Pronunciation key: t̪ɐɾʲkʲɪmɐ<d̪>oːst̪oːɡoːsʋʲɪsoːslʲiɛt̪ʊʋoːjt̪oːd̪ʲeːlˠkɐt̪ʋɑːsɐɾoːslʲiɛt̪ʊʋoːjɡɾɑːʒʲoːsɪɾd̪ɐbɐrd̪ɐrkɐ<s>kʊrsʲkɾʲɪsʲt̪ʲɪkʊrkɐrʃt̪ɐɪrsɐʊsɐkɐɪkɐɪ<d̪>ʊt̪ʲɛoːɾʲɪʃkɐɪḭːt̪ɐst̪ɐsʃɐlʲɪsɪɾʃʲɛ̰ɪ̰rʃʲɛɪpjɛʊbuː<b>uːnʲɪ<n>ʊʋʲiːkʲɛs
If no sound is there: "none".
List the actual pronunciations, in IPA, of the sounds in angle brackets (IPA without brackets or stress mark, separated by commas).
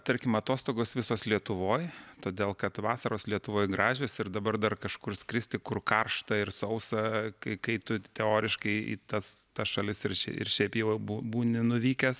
t̪, ʃ, t̪, b, n